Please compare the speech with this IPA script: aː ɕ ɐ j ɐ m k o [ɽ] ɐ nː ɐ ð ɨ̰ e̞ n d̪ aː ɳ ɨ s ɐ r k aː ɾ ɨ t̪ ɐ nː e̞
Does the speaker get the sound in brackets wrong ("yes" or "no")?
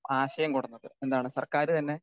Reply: no